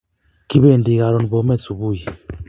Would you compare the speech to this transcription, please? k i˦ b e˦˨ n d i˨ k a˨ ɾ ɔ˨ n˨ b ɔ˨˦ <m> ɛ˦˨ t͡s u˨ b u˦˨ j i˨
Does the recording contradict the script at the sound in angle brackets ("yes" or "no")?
no